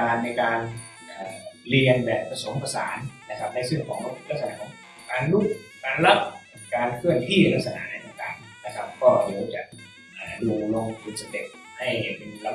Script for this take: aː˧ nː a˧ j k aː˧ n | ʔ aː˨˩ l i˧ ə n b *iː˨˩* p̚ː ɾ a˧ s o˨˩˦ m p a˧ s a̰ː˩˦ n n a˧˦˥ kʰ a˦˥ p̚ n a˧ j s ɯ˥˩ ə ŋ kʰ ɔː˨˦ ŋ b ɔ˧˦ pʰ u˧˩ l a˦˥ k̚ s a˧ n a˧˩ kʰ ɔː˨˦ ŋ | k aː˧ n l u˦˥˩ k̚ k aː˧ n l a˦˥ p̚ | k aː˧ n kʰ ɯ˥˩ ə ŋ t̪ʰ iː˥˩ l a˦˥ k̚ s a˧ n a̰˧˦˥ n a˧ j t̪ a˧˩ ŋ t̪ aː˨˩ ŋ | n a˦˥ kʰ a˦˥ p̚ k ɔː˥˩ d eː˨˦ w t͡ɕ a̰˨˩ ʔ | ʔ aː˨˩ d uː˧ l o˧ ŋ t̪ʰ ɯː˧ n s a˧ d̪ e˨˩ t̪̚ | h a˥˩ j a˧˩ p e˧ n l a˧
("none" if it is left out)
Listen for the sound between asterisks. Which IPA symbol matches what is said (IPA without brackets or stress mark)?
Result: ɛː˨˩